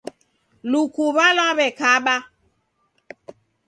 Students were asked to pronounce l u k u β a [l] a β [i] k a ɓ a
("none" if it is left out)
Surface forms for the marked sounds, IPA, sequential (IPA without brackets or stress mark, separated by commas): l, ɛ